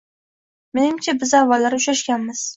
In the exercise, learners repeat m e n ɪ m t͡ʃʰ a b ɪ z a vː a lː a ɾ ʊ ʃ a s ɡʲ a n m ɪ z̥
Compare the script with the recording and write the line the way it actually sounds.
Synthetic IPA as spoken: m e n ɪ m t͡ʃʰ a b ɪ z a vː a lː a ɾ ʊ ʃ a ʃ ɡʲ a n m ɪ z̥